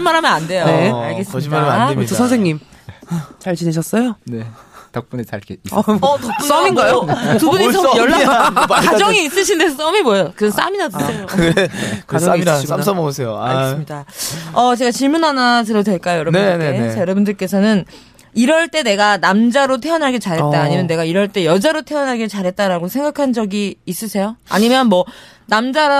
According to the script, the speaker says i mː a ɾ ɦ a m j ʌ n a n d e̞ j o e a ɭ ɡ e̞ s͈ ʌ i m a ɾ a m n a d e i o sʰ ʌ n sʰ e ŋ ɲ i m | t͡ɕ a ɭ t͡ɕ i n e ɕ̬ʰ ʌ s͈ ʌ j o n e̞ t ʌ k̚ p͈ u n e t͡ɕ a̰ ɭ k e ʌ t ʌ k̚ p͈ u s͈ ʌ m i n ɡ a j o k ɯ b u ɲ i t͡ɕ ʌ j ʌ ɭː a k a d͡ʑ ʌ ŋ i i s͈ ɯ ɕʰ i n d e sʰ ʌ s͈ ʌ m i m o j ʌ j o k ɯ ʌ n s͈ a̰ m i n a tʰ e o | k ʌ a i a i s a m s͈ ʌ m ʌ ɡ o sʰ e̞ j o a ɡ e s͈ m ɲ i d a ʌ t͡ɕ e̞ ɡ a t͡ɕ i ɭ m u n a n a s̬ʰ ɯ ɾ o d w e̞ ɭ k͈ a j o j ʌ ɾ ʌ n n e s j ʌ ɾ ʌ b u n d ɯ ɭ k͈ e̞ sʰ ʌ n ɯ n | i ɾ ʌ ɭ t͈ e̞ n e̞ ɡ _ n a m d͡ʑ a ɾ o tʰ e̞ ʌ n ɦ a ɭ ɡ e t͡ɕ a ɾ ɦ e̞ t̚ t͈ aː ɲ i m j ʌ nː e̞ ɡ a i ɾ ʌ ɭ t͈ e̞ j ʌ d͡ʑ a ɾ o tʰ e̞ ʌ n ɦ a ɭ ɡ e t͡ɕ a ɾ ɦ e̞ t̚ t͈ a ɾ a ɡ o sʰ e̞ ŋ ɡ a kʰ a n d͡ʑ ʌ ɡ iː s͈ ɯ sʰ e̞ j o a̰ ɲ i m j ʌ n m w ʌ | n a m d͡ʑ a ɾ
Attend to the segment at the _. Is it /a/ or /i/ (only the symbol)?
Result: a